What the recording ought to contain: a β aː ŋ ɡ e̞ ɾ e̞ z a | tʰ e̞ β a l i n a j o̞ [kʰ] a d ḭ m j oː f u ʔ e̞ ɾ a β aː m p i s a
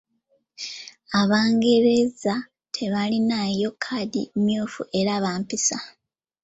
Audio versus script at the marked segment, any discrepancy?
no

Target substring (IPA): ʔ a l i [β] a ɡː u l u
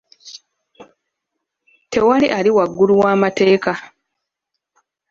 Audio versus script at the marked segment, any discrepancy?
yes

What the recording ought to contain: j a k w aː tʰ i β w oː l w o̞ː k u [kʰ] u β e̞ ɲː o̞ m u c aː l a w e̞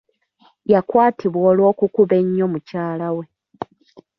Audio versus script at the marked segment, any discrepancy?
yes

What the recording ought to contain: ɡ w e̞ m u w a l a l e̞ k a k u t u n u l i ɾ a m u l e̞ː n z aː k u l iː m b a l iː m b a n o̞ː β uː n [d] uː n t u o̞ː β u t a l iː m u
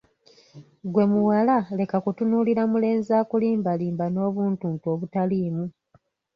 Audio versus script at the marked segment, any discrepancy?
yes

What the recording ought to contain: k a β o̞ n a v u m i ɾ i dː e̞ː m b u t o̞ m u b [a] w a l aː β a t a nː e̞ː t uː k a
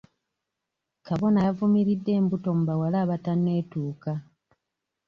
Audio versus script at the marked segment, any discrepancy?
no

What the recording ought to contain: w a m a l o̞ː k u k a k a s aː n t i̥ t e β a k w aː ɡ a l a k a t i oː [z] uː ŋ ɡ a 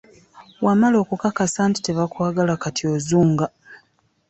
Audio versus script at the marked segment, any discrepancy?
no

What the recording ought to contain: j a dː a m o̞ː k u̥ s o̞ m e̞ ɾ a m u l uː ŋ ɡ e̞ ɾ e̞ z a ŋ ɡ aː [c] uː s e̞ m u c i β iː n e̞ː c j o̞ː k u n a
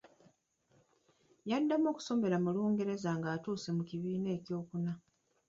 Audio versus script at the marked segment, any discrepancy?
yes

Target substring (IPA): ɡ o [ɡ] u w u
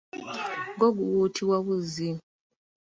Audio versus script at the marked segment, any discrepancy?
no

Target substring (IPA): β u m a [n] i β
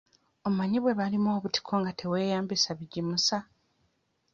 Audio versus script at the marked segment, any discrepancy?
yes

